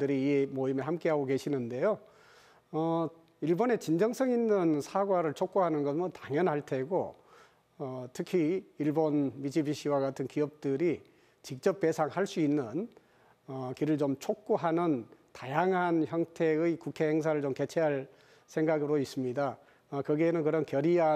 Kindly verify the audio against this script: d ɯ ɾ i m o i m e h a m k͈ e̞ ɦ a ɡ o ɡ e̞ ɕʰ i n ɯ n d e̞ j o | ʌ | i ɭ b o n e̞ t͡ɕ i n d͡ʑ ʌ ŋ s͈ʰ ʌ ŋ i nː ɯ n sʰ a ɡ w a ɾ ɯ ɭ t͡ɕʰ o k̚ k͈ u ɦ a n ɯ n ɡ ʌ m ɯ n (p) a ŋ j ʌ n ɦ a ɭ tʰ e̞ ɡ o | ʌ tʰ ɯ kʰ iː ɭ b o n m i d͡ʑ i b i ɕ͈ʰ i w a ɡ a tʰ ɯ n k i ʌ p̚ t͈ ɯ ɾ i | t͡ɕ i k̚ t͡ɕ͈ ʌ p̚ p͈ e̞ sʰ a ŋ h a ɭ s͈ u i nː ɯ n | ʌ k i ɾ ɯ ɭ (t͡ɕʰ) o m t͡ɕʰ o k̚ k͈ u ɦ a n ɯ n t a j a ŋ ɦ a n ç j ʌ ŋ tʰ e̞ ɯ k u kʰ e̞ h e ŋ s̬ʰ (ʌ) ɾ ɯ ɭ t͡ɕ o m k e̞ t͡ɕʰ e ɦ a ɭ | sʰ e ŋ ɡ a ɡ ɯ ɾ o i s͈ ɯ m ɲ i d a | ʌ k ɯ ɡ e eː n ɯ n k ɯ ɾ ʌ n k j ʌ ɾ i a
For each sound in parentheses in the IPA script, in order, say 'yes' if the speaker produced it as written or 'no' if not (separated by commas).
no, no, no